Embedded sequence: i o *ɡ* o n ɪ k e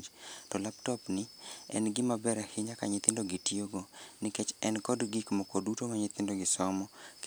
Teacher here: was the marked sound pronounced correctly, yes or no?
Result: yes